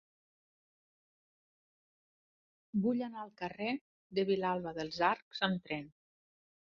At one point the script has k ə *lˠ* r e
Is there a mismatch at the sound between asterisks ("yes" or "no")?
yes